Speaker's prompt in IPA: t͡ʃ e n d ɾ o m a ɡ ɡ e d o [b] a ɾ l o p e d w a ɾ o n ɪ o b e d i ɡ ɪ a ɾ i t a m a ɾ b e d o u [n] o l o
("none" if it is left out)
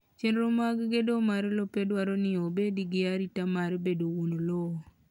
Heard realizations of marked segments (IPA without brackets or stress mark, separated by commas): m, n